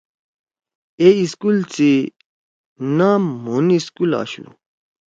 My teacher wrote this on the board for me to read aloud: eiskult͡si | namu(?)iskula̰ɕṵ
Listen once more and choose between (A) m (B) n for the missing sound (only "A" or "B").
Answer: B